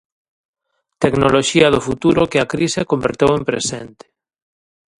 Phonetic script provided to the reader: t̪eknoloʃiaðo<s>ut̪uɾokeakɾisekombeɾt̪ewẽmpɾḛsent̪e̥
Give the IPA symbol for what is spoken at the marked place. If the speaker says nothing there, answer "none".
f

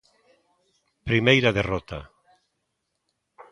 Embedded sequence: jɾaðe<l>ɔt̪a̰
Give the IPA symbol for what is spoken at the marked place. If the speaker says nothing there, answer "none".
r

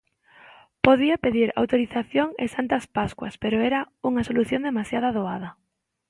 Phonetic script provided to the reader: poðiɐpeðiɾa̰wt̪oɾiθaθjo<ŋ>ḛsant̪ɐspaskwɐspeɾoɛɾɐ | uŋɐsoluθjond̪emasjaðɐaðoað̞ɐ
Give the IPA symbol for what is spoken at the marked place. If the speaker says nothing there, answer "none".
ŋ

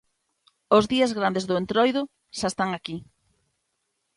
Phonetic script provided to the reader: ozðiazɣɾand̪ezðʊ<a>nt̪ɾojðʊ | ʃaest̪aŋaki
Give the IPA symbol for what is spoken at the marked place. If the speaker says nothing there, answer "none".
e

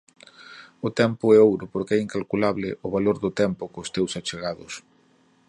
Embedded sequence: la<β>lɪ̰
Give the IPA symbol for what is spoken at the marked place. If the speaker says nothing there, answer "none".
β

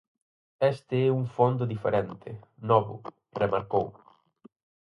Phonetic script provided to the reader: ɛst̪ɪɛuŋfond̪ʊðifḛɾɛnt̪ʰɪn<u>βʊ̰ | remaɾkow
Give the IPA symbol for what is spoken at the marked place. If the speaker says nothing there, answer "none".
ɔ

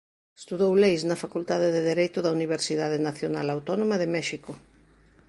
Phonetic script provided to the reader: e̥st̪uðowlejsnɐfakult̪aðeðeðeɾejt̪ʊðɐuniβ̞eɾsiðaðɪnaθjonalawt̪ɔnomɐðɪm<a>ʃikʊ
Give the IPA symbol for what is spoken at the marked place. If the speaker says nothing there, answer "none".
ɛ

